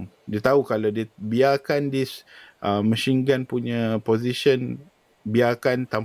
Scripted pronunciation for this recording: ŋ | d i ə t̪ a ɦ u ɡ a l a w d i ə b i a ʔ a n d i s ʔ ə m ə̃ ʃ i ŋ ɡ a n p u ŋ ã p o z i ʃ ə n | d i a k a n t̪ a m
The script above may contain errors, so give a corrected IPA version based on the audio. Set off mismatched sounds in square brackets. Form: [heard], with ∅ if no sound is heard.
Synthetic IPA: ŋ | d i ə t̪ a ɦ u [k] a l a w d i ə b i a [k] a n d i s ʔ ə m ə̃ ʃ i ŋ ɡ a n p u [ɲ] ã p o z i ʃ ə n | [b] i a k a n t̪ a m